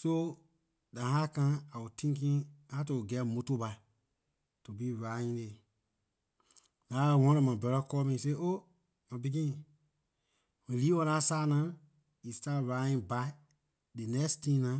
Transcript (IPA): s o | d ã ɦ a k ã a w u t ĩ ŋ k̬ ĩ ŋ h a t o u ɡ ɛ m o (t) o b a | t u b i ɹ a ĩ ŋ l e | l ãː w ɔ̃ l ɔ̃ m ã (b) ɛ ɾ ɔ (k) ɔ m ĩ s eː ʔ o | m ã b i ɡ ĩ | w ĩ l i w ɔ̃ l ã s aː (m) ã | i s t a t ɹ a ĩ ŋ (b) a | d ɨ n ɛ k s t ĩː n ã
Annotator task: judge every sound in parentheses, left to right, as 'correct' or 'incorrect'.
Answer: correct, correct, correct, incorrect, correct

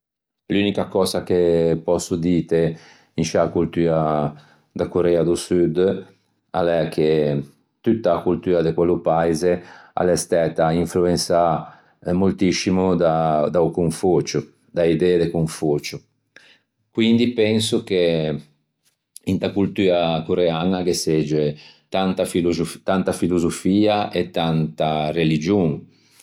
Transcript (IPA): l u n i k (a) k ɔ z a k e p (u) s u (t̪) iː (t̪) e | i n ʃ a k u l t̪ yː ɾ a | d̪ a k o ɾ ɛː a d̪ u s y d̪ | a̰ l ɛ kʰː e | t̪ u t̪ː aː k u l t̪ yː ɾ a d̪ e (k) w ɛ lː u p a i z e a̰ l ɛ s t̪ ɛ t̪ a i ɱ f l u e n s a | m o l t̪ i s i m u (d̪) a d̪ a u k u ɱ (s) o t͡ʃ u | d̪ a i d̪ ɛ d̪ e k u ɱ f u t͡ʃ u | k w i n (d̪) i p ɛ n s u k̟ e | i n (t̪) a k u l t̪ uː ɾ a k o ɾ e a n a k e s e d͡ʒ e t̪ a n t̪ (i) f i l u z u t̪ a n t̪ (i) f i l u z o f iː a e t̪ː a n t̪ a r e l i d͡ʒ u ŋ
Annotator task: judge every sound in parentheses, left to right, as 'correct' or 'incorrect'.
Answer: correct, incorrect, incorrect, correct, correct, correct, incorrect, correct, correct, incorrect, incorrect

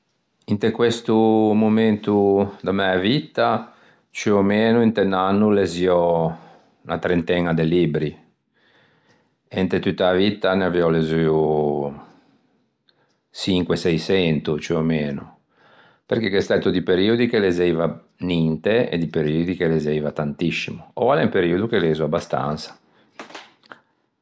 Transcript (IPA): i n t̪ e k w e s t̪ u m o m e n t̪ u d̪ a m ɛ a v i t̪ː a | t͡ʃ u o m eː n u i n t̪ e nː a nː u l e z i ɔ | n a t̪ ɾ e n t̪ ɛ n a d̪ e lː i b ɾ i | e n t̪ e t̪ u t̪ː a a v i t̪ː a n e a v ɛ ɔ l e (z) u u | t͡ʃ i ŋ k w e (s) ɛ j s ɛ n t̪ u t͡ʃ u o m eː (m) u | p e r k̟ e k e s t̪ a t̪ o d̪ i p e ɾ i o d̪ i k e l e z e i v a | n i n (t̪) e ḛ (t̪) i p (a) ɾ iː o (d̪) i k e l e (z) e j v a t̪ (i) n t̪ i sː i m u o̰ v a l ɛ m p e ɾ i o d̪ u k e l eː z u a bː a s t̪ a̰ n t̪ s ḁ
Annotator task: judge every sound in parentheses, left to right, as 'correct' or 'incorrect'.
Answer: correct, correct, incorrect, correct, incorrect, incorrect, correct, correct, incorrect

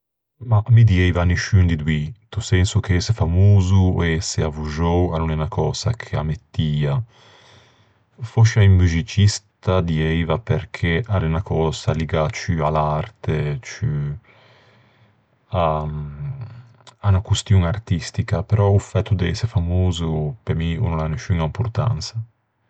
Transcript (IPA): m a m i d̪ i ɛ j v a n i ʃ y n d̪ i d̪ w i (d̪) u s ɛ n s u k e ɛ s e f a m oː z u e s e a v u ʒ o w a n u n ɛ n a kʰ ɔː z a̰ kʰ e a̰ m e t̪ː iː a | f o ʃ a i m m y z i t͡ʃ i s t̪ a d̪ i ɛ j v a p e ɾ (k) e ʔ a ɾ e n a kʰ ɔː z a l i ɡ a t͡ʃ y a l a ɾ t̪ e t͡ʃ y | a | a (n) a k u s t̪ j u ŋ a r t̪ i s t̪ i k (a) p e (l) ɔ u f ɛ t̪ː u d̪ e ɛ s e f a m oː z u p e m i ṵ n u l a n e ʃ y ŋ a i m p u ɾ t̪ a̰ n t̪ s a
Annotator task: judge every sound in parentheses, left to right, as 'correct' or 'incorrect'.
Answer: incorrect, incorrect, correct, correct, incorrect

